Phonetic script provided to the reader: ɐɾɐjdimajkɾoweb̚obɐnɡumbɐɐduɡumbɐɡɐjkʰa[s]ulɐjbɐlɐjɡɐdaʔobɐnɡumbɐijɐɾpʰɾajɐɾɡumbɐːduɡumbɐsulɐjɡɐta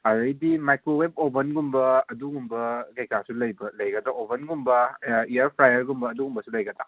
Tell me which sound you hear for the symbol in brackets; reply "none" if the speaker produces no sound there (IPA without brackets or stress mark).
s